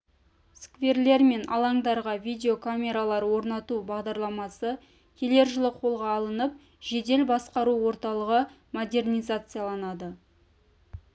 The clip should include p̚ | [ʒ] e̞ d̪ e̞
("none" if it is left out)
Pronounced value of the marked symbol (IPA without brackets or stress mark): ʒ